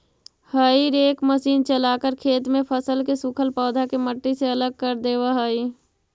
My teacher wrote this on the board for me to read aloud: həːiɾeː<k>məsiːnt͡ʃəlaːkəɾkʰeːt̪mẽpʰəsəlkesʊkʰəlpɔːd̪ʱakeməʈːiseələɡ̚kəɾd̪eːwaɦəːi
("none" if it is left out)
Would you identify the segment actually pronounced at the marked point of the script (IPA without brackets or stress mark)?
k